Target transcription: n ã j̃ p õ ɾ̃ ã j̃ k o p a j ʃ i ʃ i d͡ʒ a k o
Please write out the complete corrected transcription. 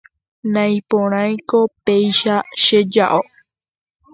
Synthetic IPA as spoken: n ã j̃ p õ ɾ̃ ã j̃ k o p e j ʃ a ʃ e d͡ʒ a ʔ o